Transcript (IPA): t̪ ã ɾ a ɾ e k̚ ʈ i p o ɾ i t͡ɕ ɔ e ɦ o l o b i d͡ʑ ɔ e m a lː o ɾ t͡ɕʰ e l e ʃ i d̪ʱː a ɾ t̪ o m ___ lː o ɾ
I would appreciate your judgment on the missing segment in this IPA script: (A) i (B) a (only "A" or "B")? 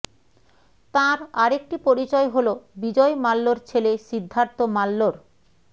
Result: B